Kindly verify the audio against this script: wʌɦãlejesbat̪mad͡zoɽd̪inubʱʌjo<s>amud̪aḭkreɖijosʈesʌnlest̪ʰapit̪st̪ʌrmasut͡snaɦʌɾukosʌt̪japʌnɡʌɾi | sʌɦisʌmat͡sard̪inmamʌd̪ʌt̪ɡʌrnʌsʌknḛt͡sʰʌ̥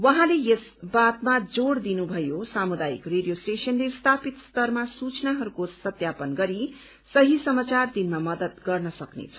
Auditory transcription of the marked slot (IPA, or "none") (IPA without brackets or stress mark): s